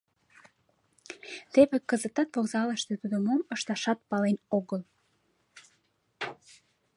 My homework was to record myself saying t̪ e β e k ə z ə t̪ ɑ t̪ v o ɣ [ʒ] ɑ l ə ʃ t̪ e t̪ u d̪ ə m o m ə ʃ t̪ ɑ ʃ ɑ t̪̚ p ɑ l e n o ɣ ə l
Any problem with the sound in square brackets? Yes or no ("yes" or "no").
yes